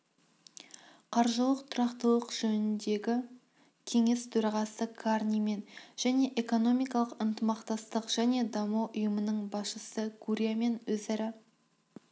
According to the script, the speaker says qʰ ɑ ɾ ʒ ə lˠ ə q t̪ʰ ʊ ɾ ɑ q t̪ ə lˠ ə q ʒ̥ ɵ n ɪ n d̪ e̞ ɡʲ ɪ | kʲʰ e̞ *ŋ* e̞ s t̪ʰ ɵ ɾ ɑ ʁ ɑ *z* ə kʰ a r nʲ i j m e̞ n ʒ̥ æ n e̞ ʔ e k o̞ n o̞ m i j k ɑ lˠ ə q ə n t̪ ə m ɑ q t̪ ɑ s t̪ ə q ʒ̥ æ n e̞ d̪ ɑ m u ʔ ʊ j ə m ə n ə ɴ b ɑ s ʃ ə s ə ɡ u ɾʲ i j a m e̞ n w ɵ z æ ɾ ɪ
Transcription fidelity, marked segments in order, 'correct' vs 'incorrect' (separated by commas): correct, incorrect